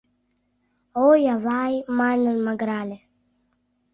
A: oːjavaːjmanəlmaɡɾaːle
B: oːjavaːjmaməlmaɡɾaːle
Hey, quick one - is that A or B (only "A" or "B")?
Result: A